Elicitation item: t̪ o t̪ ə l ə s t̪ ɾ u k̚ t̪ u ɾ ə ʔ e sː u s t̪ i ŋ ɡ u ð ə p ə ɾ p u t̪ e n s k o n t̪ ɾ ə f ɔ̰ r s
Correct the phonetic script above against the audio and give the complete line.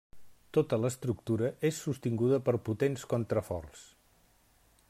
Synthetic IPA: t̪ o t̪ ə l ə s t̪ ɾ u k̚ t̪ u ɾ ə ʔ e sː u s t̪ i ŋ ɡ u ð ə p ə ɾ p u t̪ e n s k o n t̪ ɾ ə f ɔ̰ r s

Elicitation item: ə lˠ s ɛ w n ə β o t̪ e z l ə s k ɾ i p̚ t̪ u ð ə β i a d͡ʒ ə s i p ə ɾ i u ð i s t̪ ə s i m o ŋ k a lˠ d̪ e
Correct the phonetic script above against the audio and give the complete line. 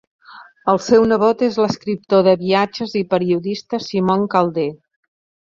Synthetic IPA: ə lˠ s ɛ w n ə β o t̪ e z l ə s k ɾ i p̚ t̪ o ð ə β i a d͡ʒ ə z i p ə ɾ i u ð i s t̪ ə s i m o ŋ k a lˠ d̪ e

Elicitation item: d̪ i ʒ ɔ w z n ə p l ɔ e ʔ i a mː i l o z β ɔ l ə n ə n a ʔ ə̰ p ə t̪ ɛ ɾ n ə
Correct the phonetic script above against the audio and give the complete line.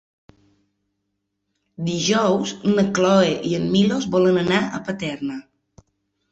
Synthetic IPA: d̪ i ʒ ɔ w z n ə k l ɔ e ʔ i ə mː i l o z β ɔ l ə n ə n a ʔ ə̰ p ə t̪ ɛ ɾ n ə

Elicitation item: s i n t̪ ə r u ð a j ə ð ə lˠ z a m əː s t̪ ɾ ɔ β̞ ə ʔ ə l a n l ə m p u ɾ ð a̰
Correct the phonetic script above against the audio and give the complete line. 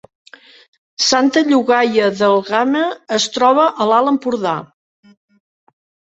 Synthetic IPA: s a n t̪ ə ʎ u ɣ a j ə ð ə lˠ ɣ a m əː s t̪ ɾ ɔ β̞ ə ʔ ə l a l ə m p u ɾ ð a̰

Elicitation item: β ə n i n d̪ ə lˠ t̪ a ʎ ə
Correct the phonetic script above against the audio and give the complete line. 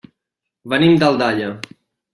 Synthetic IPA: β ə n i m d̪ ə lˠ d̪ a ʎ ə

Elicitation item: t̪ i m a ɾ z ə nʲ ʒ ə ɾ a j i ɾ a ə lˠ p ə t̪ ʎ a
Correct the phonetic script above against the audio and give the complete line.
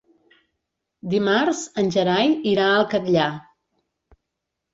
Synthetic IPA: d̪ i m a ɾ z ə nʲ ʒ ə ɾ a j i ɾ a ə lˠ k ə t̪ ʎ a

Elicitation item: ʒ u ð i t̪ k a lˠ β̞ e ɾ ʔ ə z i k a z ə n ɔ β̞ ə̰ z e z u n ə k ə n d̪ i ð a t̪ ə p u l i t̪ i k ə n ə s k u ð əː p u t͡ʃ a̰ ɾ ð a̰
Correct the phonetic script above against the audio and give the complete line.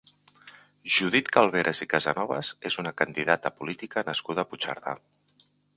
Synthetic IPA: ʒ u ð i t̪ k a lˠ β̞ e ɾ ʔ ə z i k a z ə n ɔ β̞ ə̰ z e z u n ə k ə n d̪ i ð a t̪ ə p u l i t̪ i k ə n ə s k u ð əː p u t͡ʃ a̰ ɾ ð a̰

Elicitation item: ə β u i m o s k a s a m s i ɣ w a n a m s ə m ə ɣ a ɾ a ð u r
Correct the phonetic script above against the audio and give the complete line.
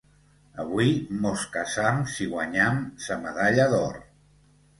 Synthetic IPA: ə β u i m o s k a s a m s i ɣ w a ɲ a m s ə m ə ð a ʎ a ð ɔ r

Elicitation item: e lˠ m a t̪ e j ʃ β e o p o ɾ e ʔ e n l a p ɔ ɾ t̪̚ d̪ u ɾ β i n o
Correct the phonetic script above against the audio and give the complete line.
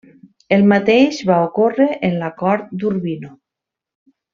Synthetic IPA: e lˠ m a t̪ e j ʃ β a o k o r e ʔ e n l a k ɔ ɾ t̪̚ d̪ u ɾ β i n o

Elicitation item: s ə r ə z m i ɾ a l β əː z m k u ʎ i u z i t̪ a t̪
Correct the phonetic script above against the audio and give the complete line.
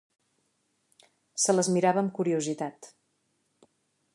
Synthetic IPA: s ə l ə z m i ɾ a β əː m k u ɾ i u z i t̪ a t̪

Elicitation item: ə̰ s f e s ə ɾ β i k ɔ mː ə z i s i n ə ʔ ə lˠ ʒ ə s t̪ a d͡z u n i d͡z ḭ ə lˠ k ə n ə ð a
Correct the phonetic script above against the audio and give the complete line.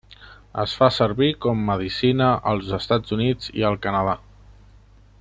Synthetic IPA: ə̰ s f a s ə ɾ β i k ɔ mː ə ð i s i n ə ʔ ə lˠ z ə s t̪ a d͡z u n i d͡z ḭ ə lˠ k ə n ə ð a

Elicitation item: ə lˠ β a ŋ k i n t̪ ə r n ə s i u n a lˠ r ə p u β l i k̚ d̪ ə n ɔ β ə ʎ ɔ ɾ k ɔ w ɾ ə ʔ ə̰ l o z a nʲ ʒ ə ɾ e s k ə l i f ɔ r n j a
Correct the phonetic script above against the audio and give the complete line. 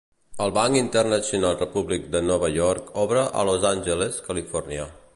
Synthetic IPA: ə lˠ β a ŋ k i n t̪ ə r n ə s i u n a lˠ r ə p u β l i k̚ d̪ ə n ɔ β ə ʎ ɔ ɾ k ɔ β ɾ ə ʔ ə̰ l o z a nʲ ʒ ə l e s k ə l i f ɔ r n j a

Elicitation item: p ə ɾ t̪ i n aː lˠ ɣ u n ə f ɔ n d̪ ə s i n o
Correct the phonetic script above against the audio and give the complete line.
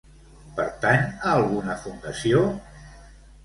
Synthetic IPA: p ə ɾ t̪ a n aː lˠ ɣ u n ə f u n d̪ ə s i o

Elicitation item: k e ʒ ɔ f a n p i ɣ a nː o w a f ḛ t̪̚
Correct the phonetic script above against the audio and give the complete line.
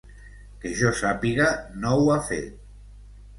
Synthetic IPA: k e ʒ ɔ s a p i ɣ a n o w a f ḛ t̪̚

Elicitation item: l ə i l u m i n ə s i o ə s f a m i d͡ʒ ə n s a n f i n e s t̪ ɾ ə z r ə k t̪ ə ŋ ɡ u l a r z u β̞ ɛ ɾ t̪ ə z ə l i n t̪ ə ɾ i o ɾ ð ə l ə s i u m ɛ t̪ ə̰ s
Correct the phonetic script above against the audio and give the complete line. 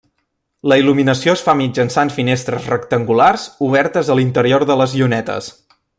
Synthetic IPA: l ə i l u m i n ə s i o ə s f a m i d͡ʒ ə n s a n f i n e s t̪ ɾ ə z r ə k t̪ ə ŋ ɡ u l a r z u β̞ ɛ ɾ t̪ ə z ə l i n t̪ ə ɾ i o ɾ ð ə l ə z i u n ɛ t̪ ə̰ s

